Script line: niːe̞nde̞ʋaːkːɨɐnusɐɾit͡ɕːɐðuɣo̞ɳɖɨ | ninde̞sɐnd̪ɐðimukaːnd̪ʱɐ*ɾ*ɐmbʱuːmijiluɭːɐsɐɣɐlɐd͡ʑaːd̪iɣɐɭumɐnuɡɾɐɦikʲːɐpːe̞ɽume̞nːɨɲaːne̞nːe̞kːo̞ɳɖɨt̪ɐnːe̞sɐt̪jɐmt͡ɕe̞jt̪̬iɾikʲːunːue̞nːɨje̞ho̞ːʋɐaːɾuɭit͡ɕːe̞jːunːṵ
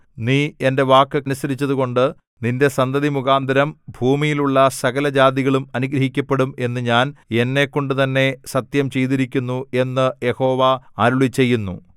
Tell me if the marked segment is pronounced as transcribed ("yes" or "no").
yes